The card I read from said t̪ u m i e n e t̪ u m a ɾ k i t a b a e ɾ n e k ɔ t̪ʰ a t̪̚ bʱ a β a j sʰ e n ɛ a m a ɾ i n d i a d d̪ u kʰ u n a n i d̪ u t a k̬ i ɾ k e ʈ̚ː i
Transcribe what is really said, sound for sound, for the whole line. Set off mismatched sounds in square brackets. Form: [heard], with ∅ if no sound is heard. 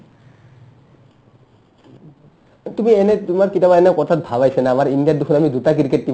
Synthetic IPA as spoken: t̪ u m i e n e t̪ u m a ɾ k i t a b a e [∅] n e k ɔ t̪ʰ a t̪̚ bʱ a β a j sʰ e n [a] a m a ɾ i n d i a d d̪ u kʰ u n a [m] i d̪ u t a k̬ i ɾ k e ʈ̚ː i